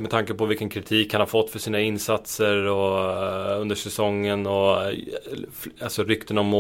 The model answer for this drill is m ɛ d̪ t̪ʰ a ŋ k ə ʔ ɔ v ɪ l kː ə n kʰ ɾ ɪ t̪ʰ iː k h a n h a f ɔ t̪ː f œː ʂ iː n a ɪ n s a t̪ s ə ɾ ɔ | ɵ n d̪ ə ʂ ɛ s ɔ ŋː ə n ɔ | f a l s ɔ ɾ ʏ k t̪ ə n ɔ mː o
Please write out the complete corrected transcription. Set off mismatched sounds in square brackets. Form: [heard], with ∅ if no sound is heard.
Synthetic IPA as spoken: m ɛ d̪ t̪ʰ a ŋ k ə [p] ɔ v ɪ l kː ə n kʰ ɾ ɪ t̪ʰ iː k h a n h a f ɔ t̪ː f [œ] ʂ iː n a ɪ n s a t̪ s ə ɾ ɔ | ɵ n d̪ ə ʂ ɛ s ɔ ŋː ə n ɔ | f a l s ɔ ɾ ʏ k t̪ ə n ɔ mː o